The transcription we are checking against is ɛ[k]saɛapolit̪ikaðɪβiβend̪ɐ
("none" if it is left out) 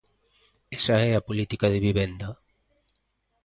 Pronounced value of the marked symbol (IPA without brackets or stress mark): none